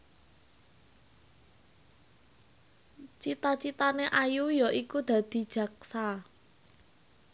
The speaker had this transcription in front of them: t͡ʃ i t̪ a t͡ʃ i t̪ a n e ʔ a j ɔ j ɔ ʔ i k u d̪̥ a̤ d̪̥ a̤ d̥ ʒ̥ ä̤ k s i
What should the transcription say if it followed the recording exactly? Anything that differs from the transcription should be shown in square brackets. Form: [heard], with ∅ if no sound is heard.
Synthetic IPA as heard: t͡ʃ i t̪ a t͡ʃ i t̪ a n e ʔ a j [u] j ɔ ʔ i k u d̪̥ a̤ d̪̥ [i̤] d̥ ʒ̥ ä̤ k s [a]